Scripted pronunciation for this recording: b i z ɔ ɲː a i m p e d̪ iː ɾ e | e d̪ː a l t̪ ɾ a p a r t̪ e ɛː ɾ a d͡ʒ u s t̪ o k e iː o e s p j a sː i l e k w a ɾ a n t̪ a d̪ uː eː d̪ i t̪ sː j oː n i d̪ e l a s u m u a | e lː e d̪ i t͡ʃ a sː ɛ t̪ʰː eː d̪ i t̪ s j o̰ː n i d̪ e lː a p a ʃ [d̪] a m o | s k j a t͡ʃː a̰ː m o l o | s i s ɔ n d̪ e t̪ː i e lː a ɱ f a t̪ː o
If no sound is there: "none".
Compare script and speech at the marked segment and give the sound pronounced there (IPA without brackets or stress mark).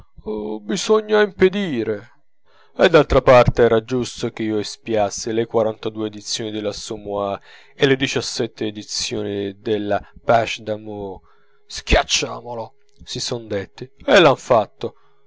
d̪